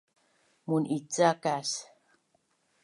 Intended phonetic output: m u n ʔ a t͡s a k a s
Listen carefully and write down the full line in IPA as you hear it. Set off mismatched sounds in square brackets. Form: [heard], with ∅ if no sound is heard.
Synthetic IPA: m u n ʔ [i] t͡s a k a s